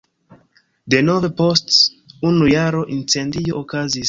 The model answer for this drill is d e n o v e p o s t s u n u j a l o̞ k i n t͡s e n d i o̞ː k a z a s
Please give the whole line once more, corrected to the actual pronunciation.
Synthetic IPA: d e n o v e p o s t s u n u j a ɾ o̞ ʔ i n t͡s e n d i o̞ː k a z i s